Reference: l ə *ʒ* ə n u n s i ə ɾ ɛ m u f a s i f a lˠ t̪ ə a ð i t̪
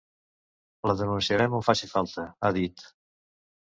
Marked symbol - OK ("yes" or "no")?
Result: no